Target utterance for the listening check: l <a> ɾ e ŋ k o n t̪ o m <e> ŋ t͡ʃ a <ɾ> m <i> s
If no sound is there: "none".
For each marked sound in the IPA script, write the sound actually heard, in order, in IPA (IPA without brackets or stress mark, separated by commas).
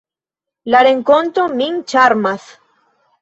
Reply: a, i, ɾ, a